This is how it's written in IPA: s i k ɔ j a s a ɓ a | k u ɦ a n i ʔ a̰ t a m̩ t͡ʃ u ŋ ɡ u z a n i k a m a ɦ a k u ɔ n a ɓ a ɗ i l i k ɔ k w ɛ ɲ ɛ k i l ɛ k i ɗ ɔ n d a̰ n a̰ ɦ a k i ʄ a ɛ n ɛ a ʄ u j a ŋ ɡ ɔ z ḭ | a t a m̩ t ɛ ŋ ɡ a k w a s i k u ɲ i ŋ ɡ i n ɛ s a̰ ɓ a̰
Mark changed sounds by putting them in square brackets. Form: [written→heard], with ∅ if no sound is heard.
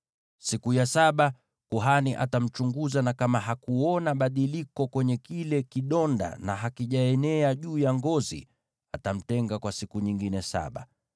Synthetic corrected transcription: s i k [ɔ→u] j a s a ɓ a | k u ɦ a n i ʔ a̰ t a m̩ t͡ʃ u ŋ ɡ u z a n [i→a] k a m a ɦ a k u ɔ n a ɓ a ɗ i l i k ɔ k w ɛ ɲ ɛ k i l ɛ k i ɗ ɔ n d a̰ n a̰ ɦ a k i ʄ a ɛ n ɛ a ʄ [u→uː] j a ŋ ɡ ɔ z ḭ | a t a m̩ t ɛ ŋ ɡ a k w a s i k u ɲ i ŋ ɡ i n ɛ s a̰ ɓ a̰

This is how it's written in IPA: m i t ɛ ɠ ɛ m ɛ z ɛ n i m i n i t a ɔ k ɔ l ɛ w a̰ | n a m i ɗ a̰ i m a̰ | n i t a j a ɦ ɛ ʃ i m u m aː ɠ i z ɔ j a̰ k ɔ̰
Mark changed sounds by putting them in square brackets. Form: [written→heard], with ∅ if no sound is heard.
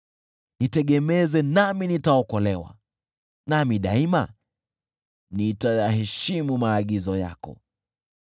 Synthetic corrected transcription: [m→n] i t ɛ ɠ ɛ m ɛ z ɛ n [i→a] m i n i t a ɔ k ɔ l ɛ w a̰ | n a m i ɗ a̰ i m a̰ | n i t a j a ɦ ɛ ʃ i m u m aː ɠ i z ɔ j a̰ k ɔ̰

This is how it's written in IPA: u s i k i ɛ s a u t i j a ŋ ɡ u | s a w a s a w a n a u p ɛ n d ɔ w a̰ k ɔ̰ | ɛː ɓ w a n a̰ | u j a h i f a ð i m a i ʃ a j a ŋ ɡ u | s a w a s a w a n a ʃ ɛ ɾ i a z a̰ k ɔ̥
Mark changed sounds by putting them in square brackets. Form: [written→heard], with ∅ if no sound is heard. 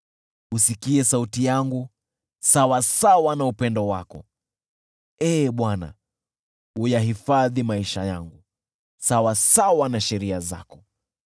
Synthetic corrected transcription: u s i k i ɛ s a u t i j a ŋ ɡ u | s a w a s a w a n a u p ɛ n d ɔ w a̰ k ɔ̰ | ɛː ɓ w a n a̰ | u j a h i f a ð i m a i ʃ a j a ŋ ɡ u | s a w a s a w a n a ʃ ɛ ɾ i a z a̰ k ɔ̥

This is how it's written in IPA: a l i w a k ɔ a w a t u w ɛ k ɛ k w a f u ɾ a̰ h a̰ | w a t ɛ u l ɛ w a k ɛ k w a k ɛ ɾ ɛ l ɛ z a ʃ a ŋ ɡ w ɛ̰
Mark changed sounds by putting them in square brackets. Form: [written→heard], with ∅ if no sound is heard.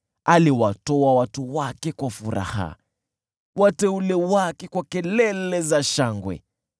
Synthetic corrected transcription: a l i w a [k→t] ɔ a w a t u w [ɛ→a] k ɛ k w a f u ɾ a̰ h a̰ | w a t ɛ u l ɛ w a k ɛ k w a k ɛ [ɾ→l] ɛ l ɛ z a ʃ a ŋ ɡ w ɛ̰

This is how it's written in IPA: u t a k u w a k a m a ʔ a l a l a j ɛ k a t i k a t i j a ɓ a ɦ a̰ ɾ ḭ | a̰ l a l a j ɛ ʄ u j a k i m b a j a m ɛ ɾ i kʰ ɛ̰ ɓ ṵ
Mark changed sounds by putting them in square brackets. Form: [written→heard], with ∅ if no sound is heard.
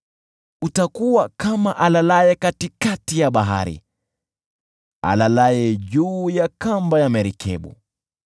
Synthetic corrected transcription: u t a k u w a k a m a ʔ a l a l a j ɛ k a t i k a t i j a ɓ a ɦ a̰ ɾ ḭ | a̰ l a l a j ɛ ʄ [u→uː] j a k [i→a] m b a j a m ɛ ɾ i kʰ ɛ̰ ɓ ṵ

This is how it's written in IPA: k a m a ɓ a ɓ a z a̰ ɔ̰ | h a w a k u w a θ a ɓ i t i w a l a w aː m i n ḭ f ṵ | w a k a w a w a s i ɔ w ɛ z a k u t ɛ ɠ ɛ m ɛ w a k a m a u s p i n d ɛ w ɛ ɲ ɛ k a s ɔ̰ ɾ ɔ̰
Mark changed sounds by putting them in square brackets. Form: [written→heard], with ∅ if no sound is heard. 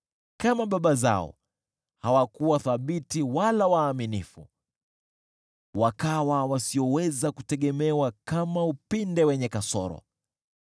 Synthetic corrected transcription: k a m a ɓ a ɓ a z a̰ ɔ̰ | h a w a k u w a θ a ɓ i t i w a l a w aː m i n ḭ f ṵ | w a k a w a w a s i ɔ w ɛ z a k u t ɛ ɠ ɛ m ɛ w a k a m a u [s→∅] p i n d ɛ w ɛ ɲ ɛ k a s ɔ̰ ɾ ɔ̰

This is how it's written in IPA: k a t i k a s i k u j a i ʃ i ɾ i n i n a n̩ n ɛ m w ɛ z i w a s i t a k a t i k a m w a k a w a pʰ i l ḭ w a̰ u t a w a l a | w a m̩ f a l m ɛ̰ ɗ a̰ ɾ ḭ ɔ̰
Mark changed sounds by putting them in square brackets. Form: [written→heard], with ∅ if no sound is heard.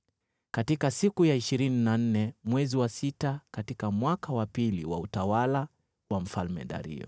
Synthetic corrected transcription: k a t i k a s i k u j a i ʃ i ɾ i n i n a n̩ n ɛ m w ɛ z i w a s i t a k a t i k a m w a k a w a [pʰ→p] i l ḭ w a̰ u t a w a l a | w a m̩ f a l m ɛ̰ ɗ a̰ ɾ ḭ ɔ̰

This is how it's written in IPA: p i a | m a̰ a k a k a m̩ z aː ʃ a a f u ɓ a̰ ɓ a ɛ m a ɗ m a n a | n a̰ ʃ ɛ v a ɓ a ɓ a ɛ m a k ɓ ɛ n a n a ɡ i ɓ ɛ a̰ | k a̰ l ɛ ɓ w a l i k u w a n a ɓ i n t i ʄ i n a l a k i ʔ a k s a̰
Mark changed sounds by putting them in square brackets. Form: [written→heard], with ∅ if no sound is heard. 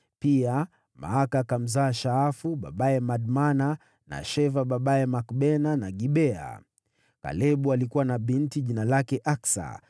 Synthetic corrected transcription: p i a | m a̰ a k a k a m̩ z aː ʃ a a f u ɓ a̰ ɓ a ɛ m a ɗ m a n a | n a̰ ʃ ɛ v a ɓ a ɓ a ɛ m a k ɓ ɛ n a n a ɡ i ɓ ɛ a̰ | k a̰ l ɛ ɓ [w→u] a l i k u w a n a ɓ i n t i ʄ i n a l a k [i→ɛ] ʔ a k s a̰

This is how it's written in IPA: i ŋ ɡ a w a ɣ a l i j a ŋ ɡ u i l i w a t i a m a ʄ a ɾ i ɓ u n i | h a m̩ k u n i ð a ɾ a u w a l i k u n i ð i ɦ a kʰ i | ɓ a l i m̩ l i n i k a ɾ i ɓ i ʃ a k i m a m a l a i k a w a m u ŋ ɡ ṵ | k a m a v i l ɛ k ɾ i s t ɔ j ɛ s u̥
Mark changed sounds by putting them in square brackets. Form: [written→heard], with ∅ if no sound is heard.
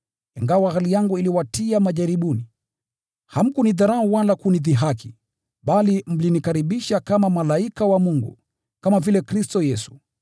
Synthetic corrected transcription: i ŋ ɡ a w a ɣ a l i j a ŋ ɡ u i l i w a t i a m a ʄ a ɾ i ɓ u n i | h a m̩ k u n i ð a ɾ a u w a l [i→a] k u n i ð i ɦ a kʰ i | ɓ a l i m̩ l i n i k a ɾ i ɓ i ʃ a k [i→a] m a m a l a i k a w a m u ŋ ɡ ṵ | k a m a v i l ɛ k ɾ i s t ɔ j ɛ s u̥

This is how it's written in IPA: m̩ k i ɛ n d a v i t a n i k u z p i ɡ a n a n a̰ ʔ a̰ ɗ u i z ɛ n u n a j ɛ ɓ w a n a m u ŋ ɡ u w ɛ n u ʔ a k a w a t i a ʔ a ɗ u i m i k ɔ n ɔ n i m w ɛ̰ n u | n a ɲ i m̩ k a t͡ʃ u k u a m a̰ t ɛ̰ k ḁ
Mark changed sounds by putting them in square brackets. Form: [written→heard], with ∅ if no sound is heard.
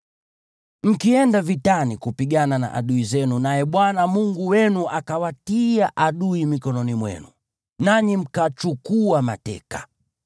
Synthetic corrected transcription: m̩ k i ɛ n d a v i t a n i k u [z→∅] p i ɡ a n a n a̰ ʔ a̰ ɗ u i z ɛ n u n a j ɛ ɓ w a n a m u ŋ ɡ u w ɛ n u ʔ a k a w a t i a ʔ a ɗ u i m i k ɔ n ɔ n i m w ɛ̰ n u | n a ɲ i m̩ k a t͡ʃ u k u a m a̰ t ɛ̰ k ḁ

